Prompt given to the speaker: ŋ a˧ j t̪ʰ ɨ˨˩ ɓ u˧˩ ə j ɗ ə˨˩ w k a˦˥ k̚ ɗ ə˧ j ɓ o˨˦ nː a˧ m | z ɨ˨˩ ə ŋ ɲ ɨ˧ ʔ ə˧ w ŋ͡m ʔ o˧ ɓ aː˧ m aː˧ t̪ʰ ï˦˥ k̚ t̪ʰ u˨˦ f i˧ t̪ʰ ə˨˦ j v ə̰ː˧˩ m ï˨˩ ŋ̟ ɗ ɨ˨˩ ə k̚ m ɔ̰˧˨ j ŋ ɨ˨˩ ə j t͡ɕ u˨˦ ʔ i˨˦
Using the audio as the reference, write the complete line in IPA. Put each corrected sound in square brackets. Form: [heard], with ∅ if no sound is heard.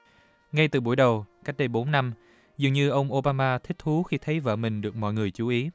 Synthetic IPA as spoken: ŋ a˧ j [t̪] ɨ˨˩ ɓ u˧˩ ə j ɗ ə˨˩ w k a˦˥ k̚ ɗ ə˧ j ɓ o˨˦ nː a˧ m | z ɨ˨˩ ə ŋ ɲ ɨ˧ ʔ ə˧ w ŋ͡m ʔ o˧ ɓ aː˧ m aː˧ t̪ʰ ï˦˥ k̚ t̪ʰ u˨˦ [x] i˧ t̪ʰ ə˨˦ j v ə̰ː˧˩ m ï˨˩ ŋ̟ ɗ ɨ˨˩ ə k̚ m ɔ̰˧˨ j ŋ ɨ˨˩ ə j t͡ɕ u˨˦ ʔ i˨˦